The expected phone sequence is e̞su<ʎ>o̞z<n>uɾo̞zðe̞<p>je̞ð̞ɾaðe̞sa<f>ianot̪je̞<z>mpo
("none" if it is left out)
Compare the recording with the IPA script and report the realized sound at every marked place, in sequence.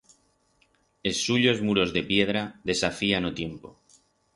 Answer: ʎ, m, p, f, none

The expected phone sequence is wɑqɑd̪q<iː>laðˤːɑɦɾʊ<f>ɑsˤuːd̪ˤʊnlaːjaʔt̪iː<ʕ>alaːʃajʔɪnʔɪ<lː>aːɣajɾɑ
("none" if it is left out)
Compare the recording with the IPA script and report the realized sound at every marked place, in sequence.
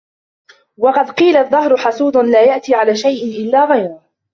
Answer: iː, ħ, ʕ, lː

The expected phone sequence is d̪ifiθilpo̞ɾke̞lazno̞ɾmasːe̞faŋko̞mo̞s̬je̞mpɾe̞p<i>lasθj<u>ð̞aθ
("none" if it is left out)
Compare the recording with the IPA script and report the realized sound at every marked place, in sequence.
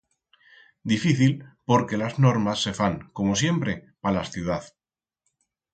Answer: a, u

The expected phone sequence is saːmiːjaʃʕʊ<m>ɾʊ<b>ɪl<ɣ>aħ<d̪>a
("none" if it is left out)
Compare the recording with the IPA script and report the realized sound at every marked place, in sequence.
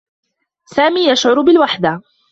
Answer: none, b, w, d̪

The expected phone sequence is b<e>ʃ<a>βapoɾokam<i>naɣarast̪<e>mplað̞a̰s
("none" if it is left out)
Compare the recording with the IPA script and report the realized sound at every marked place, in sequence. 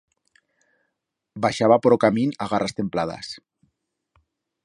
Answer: a, a, i, e

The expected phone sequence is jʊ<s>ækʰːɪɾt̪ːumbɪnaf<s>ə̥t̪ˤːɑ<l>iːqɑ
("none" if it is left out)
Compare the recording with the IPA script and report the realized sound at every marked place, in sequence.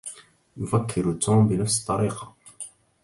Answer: f, s, ɾ

